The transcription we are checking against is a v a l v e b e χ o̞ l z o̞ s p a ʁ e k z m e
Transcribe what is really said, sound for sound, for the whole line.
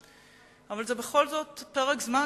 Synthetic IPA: a v a l z e b e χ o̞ l z o̞ t p e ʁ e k z m a